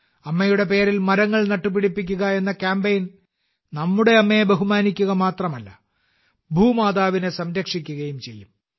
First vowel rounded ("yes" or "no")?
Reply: no